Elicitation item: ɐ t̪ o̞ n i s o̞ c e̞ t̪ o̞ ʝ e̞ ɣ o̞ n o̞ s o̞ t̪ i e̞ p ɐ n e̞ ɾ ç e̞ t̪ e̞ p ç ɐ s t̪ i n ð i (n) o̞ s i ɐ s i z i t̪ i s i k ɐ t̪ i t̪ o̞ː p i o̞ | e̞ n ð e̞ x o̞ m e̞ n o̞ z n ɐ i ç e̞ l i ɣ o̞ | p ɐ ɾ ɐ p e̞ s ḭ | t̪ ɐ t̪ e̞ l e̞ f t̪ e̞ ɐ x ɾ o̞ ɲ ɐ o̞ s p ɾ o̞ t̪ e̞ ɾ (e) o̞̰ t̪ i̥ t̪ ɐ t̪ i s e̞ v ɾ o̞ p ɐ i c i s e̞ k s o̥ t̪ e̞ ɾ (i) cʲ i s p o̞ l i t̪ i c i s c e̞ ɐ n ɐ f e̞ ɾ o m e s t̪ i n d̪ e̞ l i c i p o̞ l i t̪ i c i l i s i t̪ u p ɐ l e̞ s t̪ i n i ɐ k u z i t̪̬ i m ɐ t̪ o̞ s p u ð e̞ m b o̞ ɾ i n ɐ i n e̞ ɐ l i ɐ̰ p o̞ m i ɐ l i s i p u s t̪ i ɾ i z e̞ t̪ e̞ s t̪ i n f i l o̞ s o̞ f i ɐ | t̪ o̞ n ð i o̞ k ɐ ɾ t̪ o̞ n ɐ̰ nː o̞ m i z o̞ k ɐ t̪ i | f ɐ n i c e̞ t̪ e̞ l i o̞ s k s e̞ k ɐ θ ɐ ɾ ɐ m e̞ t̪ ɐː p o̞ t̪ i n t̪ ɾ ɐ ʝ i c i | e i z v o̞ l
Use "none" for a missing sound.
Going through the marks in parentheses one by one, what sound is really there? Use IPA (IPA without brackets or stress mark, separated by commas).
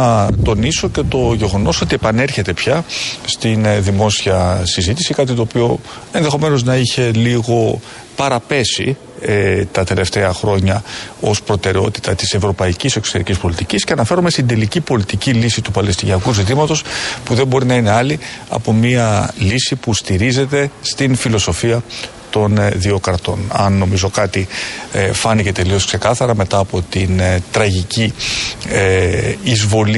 m, e, i